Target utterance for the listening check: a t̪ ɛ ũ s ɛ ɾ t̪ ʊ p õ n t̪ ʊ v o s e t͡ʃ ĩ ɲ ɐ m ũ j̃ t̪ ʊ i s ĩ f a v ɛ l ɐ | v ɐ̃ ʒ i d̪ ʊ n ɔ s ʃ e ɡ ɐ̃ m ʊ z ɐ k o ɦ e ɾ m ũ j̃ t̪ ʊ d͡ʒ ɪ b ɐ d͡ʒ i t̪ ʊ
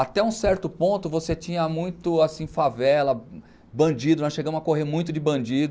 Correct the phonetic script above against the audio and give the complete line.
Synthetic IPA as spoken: a t̪ ɛ ũ s ɛ ɾ t̪ ʊ p õ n t̪ ʊ v o s e t͡ʃ ĩ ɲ ɐ m ũ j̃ t̪ ʊ a s ĩ f a v ɛ l ɐ | b ɐ̃ d͡ʒ i d̪ ʊ n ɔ s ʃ e ɡ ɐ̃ m ʊ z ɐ k o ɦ e ɾ m ũ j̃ t̪ ʊ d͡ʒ ɪ b ɐ̃ d͡ʒ i d̪ ʊ